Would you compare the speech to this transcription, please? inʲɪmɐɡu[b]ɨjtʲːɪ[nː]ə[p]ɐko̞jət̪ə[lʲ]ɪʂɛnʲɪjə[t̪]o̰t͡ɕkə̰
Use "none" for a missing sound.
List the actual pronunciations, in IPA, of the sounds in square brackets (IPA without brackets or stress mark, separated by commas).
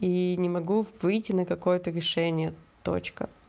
v, n, k, ɾʲ, t̪